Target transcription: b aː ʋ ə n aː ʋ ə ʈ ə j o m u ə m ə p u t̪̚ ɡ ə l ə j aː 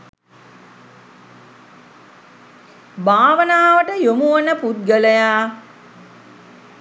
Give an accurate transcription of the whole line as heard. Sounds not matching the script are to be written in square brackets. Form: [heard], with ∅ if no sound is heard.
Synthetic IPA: b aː ʋ ə n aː ʋ ə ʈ ə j o m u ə [n] ə p u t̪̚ ɡ ə l ə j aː